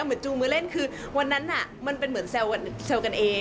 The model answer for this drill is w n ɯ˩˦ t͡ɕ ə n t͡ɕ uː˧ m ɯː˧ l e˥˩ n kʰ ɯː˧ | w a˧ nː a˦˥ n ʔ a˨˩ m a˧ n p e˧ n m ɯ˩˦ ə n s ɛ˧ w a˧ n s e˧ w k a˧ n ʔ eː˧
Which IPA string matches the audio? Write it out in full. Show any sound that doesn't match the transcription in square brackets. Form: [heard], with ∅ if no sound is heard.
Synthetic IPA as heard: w [m] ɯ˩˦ [∅] ə n t͡ɕ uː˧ m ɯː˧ l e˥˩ n kʰ ɯː˧ | w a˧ nː a˦˥ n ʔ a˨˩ m a˧ n p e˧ n m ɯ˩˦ ə n s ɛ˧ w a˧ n s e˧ w k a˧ n ʔ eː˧